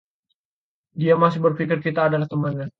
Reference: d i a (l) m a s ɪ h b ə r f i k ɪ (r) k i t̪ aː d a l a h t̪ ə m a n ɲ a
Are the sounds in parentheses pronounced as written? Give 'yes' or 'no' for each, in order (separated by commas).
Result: no, yes